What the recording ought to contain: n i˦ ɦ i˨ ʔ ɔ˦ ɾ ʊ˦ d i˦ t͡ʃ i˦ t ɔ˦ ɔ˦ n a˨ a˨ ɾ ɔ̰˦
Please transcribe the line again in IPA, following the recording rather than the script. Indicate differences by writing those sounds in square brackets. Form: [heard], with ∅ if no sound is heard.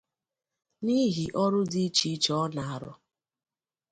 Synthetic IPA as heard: n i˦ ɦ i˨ ʔ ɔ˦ ɾ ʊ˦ d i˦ t͡ʃ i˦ [t͡ʃ] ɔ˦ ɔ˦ n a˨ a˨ ɾ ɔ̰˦